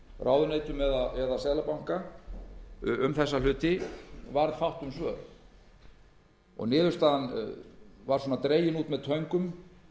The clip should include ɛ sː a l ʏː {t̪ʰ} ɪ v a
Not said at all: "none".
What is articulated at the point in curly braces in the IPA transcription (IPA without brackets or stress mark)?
t̪